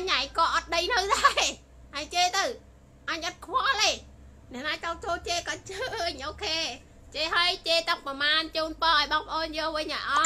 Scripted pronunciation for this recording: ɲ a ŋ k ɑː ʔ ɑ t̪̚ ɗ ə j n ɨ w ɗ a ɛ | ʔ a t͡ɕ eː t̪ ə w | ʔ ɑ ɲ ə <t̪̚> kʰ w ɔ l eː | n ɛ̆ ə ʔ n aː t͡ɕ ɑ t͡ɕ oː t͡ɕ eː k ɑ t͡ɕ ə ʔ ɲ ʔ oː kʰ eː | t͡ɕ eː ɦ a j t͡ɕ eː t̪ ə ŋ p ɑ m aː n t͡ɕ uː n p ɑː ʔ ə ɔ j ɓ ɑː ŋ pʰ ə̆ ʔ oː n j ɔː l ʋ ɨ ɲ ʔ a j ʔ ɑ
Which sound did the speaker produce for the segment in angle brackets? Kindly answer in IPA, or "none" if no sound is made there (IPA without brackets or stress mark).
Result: t̪̚